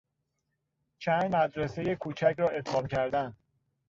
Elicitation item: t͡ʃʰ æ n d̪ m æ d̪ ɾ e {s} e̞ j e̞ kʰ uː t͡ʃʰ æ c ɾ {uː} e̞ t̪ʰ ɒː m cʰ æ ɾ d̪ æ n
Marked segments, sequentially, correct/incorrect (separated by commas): correct, incorrect